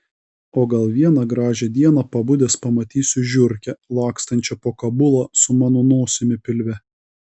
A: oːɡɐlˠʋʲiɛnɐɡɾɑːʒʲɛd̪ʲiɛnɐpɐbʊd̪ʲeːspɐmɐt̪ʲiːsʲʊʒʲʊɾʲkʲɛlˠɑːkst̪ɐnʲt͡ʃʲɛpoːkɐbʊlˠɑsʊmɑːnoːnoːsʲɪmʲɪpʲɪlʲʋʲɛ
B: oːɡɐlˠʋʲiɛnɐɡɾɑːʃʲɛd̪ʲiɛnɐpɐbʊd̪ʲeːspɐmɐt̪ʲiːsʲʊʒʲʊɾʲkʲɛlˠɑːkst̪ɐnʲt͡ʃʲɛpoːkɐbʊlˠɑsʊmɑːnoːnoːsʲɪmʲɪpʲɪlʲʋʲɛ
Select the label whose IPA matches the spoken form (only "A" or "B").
A